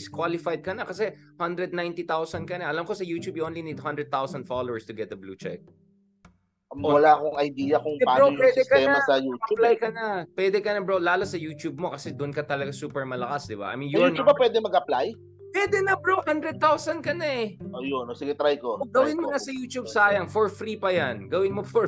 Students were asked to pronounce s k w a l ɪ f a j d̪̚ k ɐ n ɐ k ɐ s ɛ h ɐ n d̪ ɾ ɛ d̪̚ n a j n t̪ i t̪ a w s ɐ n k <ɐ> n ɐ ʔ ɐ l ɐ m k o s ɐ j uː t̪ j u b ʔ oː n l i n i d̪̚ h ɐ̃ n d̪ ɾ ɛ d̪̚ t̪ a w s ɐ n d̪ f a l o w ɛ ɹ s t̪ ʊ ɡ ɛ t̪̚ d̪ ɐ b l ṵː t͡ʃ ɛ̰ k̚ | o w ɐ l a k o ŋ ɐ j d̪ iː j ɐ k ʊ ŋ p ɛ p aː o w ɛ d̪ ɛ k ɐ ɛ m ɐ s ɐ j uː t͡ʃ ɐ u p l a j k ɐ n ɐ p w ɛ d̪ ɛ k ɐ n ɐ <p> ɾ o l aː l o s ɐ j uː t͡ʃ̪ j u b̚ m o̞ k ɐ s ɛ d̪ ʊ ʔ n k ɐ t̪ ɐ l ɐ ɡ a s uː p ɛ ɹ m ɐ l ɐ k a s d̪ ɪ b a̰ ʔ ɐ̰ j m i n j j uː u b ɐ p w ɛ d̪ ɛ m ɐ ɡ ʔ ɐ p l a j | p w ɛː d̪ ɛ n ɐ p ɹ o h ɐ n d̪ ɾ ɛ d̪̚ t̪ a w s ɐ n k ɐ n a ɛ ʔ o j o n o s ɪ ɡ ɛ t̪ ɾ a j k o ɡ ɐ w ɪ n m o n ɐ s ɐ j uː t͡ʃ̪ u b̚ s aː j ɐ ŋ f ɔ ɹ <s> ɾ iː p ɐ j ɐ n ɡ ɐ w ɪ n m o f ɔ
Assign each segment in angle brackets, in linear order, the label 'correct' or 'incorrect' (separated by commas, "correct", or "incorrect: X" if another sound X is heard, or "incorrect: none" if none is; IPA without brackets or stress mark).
correct, incorrect: b, incorrect: f